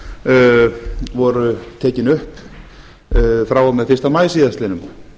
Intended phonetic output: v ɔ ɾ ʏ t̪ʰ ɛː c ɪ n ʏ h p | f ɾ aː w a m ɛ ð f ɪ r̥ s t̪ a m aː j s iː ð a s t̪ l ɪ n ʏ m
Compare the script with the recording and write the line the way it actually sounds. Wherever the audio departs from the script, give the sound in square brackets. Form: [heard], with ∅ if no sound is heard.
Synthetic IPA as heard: v ɔ ɾ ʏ t̪ʰ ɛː c ɪ n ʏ h p | f ɾ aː w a m ɛ ð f ɪ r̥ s t̪ a m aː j s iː ð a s t̪ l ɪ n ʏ m